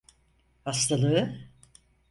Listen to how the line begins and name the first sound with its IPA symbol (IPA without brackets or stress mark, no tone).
h